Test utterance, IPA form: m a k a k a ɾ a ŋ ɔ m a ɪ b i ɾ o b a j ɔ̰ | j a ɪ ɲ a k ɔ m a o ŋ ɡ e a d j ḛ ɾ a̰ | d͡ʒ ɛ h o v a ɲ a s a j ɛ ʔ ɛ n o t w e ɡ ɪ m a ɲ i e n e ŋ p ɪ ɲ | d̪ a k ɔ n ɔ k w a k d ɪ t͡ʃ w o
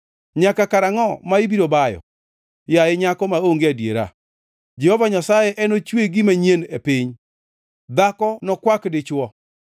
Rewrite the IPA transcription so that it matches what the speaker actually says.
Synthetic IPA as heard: ɲ a k a k a ɾ a ŋ ɔ m a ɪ b i ɾ o b a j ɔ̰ | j a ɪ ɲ a k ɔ m a o ŋ ɡ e a d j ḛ ɾ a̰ | d͡ʒ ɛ h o v a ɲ a s a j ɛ ʔ ɛ n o t͡ʃ w e ɡ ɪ m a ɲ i e n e p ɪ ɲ | d̪ a k ɔ n ɔ k w a k d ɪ t͡ʃ w ɔ